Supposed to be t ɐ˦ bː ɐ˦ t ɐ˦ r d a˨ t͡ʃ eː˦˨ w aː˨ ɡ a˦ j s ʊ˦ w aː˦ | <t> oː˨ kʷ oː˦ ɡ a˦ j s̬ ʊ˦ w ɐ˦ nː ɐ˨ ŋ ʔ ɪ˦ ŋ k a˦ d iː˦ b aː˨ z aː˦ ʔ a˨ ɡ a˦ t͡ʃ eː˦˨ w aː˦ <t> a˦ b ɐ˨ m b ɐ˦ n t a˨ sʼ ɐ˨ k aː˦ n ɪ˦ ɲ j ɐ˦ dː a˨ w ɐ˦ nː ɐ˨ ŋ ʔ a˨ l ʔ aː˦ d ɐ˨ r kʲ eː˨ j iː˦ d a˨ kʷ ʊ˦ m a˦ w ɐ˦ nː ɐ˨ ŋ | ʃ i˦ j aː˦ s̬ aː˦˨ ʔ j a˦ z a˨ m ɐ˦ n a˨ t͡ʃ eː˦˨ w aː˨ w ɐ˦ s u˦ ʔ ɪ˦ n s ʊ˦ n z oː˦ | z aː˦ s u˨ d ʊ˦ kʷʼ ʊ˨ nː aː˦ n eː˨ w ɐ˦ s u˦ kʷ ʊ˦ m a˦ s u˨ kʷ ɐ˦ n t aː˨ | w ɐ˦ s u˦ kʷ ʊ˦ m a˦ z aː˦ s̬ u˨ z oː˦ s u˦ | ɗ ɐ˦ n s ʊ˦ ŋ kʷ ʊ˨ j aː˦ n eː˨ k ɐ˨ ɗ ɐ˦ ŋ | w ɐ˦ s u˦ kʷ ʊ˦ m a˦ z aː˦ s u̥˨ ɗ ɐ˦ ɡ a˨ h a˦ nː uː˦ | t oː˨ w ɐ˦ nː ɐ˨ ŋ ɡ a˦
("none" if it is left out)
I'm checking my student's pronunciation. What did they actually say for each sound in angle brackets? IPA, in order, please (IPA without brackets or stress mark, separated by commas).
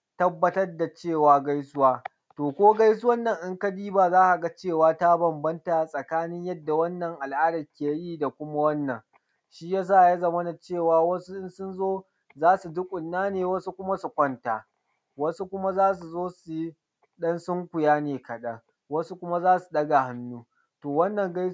t, t